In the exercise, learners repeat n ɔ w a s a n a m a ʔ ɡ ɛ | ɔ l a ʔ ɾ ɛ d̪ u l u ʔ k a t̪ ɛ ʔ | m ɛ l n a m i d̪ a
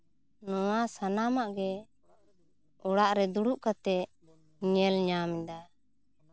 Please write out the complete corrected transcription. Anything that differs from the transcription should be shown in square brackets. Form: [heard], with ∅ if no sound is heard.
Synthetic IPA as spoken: n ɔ w a s a n a m a ʔ ɡ ɛ | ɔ [ɽ] a ʔ ɾ ɛ d̪ u [ɽ] u ʔ k a t̪ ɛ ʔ | [ɲ] ɛ l [ɲ] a m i d̪ a